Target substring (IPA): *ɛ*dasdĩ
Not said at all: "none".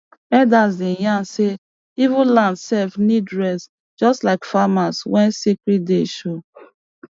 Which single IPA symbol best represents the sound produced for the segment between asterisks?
ɛ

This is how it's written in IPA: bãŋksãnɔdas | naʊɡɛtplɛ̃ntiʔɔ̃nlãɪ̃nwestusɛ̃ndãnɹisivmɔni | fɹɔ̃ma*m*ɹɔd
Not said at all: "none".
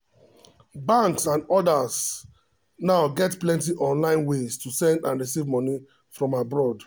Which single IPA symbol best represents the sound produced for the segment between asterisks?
b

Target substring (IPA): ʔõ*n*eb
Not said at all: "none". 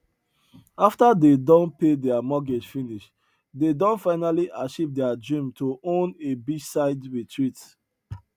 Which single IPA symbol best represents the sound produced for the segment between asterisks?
n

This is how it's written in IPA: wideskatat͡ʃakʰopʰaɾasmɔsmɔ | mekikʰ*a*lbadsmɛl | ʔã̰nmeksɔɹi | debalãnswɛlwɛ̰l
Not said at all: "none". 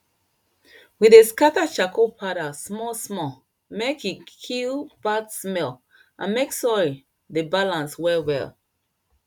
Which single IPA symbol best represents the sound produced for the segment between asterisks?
i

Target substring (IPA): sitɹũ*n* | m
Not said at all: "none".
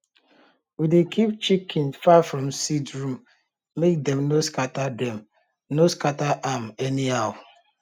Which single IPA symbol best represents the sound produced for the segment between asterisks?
m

